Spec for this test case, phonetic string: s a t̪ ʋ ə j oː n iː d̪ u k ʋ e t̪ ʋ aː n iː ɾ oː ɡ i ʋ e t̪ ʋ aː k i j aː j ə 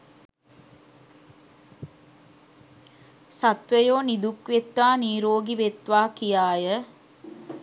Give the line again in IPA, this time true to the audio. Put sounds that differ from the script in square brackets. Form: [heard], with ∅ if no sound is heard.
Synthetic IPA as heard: s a t̪ ʋ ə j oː n [i] d̪ u k ʋ e t̪ ʋ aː n iː ɾ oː ɡ i ʋ e t̪ ʋ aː k i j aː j ə